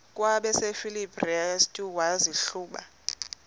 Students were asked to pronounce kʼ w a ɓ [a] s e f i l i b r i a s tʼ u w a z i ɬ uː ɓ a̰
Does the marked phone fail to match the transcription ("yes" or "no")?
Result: yes